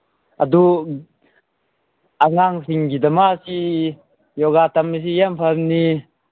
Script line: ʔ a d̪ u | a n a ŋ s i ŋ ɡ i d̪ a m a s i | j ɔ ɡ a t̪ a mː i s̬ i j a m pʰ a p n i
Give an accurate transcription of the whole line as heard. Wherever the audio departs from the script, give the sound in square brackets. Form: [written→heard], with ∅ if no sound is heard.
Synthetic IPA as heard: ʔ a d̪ u | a [n→ŋ] a ŋ s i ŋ ɡ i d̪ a m a s i | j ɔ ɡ a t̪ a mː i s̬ i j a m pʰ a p n i